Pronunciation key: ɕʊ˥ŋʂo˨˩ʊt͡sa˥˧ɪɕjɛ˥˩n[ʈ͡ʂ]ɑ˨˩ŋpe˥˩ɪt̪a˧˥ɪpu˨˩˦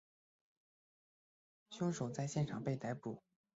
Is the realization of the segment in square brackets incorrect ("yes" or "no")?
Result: yes